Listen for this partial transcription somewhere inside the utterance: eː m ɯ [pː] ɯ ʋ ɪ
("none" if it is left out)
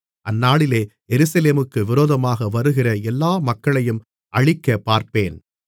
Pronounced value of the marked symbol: kː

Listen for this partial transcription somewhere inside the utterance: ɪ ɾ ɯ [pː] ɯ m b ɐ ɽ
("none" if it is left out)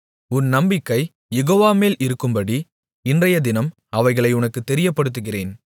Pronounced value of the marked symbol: kː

